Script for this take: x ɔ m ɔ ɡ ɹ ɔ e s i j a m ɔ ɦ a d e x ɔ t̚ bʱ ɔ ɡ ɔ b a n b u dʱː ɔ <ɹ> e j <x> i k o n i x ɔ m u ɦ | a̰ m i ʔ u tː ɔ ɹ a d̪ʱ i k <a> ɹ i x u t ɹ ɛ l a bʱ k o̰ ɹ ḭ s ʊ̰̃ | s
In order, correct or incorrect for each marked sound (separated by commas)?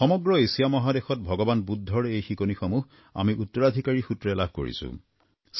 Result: correct, correct, correct